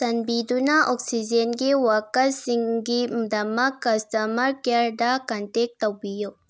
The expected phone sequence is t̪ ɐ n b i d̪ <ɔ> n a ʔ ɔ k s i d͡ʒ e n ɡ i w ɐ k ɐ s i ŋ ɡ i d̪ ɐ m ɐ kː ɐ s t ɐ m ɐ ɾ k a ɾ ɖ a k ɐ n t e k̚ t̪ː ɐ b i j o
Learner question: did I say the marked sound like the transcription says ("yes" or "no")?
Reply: no